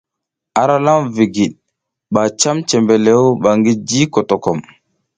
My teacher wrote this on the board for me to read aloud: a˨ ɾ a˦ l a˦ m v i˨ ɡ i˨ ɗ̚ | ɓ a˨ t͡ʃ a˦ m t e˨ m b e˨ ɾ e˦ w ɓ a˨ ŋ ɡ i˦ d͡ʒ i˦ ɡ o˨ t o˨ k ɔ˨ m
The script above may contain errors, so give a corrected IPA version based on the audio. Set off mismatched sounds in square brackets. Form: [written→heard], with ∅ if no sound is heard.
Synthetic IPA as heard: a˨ ɾ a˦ l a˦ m v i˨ ɡ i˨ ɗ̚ | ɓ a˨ t͡ʃ a˦ m [t→t͡ʃ] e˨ m b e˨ [ɾ→l] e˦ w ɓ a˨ ŋ ɡ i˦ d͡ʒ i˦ [ɡ→k] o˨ t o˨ k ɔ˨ m